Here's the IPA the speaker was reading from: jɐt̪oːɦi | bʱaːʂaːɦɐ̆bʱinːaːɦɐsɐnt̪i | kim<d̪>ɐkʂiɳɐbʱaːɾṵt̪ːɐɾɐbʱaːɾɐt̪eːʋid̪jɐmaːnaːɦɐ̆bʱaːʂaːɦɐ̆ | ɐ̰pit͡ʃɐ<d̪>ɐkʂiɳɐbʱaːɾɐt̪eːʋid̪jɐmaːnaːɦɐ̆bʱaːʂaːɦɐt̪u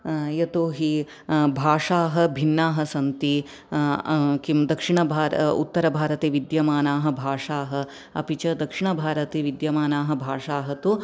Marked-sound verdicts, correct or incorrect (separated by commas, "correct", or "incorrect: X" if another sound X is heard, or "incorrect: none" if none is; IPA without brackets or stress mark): correct, correct